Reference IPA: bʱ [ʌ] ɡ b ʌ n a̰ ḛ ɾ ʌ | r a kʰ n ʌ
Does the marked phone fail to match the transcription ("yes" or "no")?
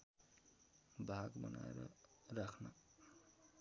yes